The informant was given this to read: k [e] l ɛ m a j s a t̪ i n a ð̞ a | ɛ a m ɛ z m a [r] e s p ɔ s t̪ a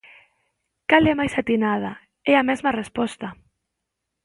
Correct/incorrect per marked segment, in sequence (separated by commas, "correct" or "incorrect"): incorrect, correct